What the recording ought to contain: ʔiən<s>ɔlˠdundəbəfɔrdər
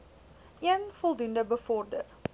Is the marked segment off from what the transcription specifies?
yes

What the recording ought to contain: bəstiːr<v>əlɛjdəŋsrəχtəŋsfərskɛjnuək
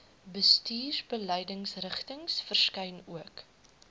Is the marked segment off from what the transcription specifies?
yes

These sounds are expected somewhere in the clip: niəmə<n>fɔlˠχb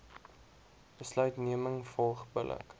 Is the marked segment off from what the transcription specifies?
yes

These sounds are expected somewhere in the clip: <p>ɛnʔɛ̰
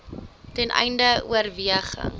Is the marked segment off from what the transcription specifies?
yes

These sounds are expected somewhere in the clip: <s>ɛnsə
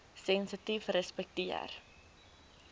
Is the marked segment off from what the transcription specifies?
no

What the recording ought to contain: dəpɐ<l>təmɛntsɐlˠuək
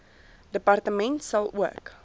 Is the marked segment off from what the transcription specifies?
yes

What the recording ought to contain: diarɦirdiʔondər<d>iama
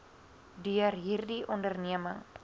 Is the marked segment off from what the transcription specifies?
yes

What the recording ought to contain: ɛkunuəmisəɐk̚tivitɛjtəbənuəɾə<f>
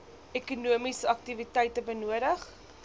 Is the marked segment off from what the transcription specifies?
yes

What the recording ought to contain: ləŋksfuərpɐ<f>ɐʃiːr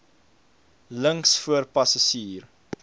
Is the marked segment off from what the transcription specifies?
yes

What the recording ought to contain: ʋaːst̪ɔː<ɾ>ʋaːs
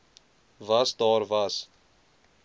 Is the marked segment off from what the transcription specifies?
no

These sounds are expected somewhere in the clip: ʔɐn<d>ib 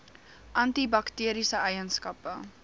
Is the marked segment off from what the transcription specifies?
yes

